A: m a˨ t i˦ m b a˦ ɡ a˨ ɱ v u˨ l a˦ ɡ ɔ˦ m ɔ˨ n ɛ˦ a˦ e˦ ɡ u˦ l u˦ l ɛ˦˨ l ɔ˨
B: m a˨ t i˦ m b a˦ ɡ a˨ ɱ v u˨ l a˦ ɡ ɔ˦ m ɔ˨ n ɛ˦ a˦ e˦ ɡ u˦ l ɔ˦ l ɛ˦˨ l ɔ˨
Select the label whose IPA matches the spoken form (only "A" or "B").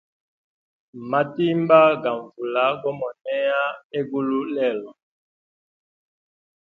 A